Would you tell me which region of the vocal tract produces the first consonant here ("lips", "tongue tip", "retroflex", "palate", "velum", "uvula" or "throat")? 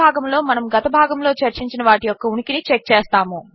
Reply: velum